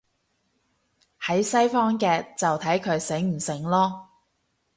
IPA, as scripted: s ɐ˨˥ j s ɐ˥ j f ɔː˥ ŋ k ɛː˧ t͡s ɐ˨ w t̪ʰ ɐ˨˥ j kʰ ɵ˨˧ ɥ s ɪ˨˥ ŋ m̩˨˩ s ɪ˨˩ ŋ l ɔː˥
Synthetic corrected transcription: h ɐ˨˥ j s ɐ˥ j f ɔː˥ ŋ k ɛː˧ t͡s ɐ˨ w t̪ʰ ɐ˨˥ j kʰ ɵ˨˧ ɥ s ɪ˨˥ ŋ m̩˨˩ s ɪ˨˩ ŋ l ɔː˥